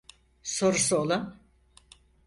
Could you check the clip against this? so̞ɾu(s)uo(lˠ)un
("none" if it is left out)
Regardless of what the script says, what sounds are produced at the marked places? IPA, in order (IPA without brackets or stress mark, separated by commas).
s, lˠ